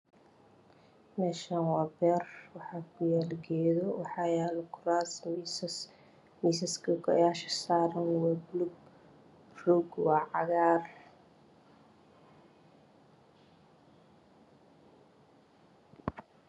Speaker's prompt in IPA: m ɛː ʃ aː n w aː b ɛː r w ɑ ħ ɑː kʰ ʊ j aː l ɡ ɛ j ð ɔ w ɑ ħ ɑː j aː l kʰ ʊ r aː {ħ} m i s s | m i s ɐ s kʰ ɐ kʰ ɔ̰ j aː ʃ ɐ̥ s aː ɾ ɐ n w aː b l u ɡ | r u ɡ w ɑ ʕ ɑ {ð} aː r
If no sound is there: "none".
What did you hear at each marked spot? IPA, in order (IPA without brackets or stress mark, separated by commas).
s, ɣ